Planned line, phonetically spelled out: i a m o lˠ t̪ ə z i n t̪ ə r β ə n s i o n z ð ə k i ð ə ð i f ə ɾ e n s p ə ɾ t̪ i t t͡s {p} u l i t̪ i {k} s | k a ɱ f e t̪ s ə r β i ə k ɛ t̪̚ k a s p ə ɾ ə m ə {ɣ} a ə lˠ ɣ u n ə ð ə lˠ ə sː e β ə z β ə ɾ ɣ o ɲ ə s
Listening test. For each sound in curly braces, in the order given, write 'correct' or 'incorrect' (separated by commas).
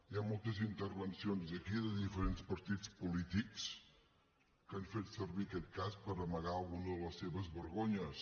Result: correct, correct, correct